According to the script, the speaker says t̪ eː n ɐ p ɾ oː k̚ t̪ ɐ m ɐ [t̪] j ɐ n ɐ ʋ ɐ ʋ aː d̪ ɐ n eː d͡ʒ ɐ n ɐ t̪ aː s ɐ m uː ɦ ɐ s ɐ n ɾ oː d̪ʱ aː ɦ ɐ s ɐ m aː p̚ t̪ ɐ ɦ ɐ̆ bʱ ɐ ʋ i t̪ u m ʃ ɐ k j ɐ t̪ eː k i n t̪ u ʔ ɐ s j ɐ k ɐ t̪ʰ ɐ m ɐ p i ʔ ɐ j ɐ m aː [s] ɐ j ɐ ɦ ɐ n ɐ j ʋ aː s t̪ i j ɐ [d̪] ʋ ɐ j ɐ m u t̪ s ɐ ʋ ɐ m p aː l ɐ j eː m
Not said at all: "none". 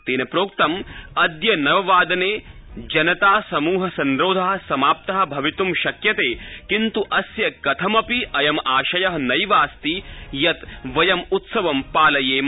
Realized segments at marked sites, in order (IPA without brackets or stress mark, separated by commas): d̪, ʃ, t̪